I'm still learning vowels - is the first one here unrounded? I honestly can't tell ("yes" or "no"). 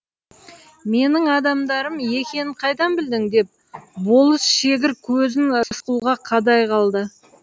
yes